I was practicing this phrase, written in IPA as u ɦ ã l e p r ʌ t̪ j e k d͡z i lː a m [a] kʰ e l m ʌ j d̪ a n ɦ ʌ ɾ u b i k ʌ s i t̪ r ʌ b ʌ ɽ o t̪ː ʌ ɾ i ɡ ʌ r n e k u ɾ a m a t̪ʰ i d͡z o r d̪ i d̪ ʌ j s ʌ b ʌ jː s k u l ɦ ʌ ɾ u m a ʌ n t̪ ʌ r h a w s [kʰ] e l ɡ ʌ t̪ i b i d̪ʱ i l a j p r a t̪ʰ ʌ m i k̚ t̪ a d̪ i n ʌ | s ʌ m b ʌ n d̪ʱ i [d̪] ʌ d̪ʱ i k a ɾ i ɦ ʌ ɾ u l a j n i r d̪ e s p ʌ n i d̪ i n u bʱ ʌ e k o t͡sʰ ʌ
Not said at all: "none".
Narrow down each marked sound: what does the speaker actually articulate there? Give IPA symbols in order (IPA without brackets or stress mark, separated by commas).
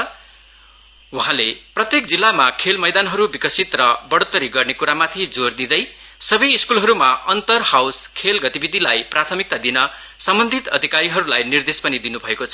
a, kʰ, t̪